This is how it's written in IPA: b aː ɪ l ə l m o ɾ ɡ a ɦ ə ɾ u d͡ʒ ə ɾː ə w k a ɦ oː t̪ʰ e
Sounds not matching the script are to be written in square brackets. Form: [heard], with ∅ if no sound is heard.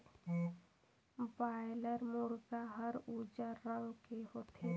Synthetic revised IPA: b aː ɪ l ə [ɾ] m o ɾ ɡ a ɦ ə ɾ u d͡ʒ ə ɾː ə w k [e] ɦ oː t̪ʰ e